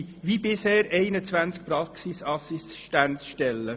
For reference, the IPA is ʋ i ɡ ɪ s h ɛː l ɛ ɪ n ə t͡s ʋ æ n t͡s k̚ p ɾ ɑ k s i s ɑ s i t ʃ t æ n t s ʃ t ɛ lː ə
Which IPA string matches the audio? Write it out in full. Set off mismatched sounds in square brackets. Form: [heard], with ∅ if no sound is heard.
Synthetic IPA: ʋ i [b] ɪ s h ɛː [ɾ] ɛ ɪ n ə t͡s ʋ æ n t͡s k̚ p ɾ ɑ k s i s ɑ s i [s] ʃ t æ n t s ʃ t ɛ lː ə